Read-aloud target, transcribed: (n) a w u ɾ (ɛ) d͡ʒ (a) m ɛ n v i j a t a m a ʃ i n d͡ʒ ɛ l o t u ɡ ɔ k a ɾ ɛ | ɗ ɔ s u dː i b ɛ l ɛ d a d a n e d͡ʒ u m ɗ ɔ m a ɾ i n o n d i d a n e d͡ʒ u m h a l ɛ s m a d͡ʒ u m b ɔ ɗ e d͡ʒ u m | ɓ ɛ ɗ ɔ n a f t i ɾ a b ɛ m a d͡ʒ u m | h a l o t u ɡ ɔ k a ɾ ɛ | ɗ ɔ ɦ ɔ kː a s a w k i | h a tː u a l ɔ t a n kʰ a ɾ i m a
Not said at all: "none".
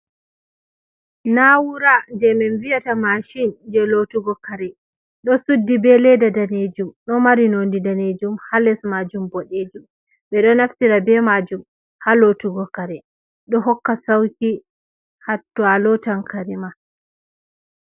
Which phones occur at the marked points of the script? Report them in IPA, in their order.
n, a, ɛ

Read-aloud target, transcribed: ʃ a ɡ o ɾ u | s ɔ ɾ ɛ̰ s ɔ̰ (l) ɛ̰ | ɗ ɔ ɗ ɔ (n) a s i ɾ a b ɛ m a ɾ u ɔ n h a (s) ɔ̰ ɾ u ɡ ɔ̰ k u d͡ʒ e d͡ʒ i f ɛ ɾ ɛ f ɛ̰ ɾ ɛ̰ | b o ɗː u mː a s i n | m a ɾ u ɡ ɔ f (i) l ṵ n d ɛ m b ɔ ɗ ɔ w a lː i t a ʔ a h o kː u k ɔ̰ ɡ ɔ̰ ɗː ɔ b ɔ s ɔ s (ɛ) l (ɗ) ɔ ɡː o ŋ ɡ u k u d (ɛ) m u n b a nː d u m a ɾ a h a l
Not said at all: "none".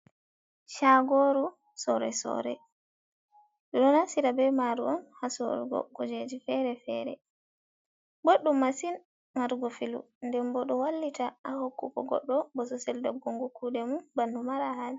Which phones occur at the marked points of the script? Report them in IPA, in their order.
ɾ, n, s, i, ɛ, d, ɛ

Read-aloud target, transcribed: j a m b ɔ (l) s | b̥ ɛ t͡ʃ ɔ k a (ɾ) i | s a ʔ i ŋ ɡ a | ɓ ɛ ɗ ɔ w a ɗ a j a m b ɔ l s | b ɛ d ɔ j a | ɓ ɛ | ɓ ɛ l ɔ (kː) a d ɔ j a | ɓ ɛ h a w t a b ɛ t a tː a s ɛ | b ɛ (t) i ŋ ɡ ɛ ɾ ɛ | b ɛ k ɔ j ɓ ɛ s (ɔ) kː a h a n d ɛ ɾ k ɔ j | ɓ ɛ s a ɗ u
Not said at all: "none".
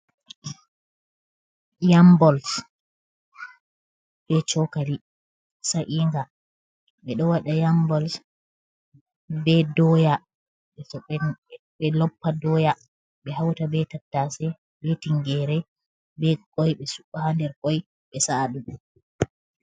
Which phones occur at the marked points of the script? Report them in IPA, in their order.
l, l, pː, t, u

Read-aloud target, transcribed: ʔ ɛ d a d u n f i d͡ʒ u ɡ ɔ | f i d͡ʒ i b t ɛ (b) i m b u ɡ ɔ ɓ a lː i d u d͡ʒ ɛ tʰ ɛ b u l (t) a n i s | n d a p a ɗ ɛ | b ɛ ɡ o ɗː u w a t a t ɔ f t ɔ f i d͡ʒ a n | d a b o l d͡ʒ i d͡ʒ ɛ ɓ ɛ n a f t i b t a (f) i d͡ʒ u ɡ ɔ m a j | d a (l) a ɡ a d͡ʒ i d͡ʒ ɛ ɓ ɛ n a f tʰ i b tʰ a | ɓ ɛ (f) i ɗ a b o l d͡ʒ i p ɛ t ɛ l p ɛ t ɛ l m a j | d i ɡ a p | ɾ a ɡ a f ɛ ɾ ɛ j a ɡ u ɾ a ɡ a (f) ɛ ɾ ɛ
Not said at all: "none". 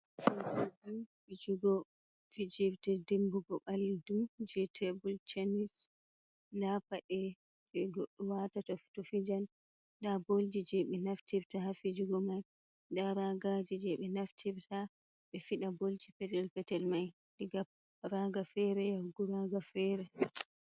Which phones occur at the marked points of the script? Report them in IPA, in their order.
d, t͡ʃ, f, ɾ, f, f

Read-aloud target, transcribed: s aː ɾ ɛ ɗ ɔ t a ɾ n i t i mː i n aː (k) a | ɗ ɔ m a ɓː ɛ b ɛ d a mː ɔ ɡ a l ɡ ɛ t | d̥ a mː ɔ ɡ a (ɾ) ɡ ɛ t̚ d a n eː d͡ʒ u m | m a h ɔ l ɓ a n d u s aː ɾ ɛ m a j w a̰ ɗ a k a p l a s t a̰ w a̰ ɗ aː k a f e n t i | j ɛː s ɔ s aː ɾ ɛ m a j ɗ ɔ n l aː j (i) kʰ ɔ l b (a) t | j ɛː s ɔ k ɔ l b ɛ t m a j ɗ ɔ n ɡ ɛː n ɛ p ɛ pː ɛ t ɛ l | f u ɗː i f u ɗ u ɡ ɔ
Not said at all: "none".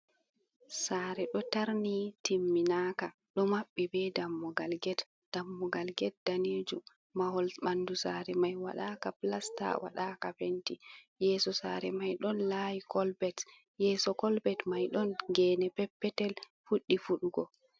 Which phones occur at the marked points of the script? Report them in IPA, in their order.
k, l, i, ɛ

